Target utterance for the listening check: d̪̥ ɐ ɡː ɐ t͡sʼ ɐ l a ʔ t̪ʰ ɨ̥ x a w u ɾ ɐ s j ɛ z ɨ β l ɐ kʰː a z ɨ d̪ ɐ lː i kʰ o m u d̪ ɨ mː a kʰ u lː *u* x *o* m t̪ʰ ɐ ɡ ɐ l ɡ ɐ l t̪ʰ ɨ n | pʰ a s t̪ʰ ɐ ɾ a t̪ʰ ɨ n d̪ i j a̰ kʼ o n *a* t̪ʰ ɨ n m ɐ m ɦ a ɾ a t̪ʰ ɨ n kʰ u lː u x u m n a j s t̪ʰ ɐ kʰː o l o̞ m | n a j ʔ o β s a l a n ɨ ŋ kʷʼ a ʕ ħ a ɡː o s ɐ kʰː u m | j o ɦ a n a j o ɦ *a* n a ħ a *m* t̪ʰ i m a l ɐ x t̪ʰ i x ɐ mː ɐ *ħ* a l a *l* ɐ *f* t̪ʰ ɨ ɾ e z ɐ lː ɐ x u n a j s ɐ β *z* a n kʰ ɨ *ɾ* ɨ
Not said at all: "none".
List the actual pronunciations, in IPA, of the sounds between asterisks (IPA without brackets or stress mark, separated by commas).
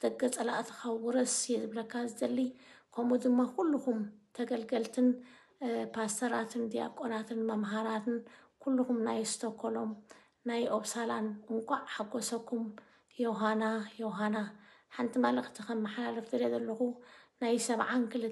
u, u, a, a, n, ħ, l, f, ʕ, l